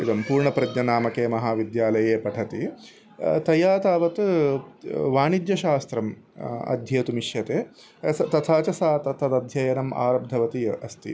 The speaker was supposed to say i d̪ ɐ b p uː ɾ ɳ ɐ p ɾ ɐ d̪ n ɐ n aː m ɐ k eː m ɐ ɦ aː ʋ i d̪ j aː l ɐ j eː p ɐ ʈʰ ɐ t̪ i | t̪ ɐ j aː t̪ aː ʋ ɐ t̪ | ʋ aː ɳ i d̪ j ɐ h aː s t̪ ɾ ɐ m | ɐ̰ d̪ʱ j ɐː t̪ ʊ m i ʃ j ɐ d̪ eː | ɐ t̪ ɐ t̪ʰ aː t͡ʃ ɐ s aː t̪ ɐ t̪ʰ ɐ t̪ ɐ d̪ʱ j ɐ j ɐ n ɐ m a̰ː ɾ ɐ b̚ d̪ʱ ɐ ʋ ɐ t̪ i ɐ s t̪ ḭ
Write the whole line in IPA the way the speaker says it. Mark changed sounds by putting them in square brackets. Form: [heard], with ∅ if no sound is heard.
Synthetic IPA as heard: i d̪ ɐ [m] p uː ɾ ɳ ɐ p ɾ ɐ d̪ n ɐ n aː m ɐ k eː m ɐ ɦ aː ʋ i d̪ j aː l ɐ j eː p ɐ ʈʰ ɐ t̪ i | t̪ ɐ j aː t̪ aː ʋ ɐ t̪ | ʋ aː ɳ i d̪ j ɐ [ʃ] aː s t̪ ɾ ɐ m | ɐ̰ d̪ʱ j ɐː t̪ [u] m i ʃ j ɐ [t̪] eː | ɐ t̪ ɐ t̪ʰ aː t͡ʃ ɐ s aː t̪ ɐ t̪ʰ ɐ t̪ ɐ d̪ʱ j ɐ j ɐ n ɐ m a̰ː ɾ ɐ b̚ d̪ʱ ɐ ʋ ɐ t̪ i ɐ s t̪ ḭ